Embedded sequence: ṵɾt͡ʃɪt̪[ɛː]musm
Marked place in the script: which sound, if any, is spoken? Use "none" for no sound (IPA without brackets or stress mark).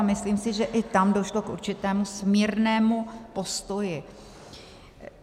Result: ɛː